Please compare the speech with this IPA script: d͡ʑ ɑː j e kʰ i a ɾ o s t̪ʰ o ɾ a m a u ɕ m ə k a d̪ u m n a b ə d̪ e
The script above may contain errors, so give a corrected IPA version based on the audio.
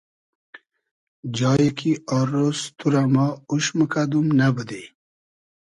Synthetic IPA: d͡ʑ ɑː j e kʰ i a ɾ o s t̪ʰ u ɾ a m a u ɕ m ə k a d̪ u m n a b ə d̪ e